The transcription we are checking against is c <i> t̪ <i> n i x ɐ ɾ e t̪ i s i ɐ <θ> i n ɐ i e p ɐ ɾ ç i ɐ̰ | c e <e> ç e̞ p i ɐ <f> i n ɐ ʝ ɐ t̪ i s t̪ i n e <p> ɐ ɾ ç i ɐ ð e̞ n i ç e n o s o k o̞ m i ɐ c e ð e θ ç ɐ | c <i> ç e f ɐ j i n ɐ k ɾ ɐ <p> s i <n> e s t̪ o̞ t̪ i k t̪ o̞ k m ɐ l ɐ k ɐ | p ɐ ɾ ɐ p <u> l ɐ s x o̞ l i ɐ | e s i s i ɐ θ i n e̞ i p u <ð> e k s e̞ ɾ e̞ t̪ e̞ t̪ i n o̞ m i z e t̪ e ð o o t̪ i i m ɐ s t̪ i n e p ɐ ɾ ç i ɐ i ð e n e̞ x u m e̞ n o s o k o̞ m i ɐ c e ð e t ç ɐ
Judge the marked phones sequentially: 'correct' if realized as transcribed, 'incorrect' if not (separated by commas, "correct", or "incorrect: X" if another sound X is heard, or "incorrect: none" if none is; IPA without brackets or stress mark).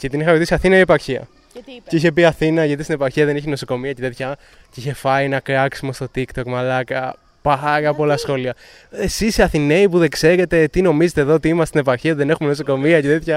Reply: incorrect: e, correct, correct, incorrect: i, incorrect: θ, correct, correct, incorrect: k, incorrect: m, incorrect: o, correct